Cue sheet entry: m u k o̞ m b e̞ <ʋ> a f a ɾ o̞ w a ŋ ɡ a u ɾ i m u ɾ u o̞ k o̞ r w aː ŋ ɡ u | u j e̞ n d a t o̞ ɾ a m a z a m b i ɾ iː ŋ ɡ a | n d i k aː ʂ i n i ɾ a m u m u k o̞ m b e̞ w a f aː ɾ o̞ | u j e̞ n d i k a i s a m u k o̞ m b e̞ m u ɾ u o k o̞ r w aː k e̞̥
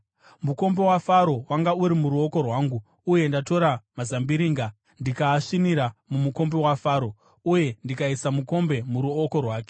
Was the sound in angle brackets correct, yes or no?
no